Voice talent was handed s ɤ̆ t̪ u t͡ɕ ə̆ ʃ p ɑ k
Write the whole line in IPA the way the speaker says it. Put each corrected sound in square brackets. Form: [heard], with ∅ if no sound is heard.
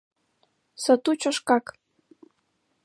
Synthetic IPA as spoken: s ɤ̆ t̪ u t͡ɕ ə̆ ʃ [k] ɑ k